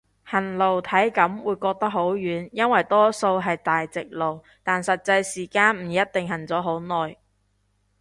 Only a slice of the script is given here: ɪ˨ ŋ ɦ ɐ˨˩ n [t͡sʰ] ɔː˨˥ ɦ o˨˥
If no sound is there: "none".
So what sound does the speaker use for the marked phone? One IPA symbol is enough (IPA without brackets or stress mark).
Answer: t͡s